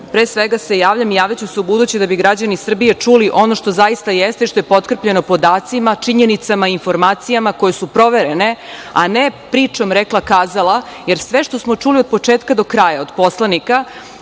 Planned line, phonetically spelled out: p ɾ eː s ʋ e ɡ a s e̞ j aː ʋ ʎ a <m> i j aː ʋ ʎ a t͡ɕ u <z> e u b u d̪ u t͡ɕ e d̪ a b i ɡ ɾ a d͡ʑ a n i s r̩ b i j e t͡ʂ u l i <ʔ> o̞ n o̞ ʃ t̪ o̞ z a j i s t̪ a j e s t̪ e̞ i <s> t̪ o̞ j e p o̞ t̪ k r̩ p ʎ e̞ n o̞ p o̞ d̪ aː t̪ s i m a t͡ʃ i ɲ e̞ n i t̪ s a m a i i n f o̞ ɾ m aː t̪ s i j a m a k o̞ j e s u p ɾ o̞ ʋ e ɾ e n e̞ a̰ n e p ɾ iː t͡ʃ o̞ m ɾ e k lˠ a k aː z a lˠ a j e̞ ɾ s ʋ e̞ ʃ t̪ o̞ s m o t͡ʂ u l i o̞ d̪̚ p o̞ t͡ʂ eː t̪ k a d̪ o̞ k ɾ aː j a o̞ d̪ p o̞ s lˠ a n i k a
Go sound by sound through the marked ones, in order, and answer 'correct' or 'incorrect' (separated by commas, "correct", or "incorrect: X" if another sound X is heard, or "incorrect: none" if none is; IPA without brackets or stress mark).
correct, incorrect: s, correct, incorrect: ʃ